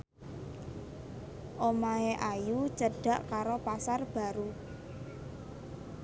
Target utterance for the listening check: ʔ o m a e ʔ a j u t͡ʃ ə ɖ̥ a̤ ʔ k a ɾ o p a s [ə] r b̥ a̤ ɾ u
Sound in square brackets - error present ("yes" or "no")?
yes